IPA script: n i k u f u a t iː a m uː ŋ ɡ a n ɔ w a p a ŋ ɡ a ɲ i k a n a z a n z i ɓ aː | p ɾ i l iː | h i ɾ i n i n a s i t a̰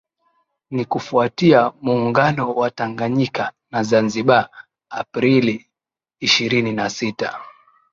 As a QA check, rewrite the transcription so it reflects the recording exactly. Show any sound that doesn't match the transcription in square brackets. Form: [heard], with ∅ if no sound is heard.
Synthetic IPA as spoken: n i k u f u a t [i] a m uː ŋ ɡ a n ɔ w a [t] a ŋ ɡ a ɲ i k a n a z a n z i ɓ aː | p ɾ i l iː | [ʃ] i ɾ i n i n a s i t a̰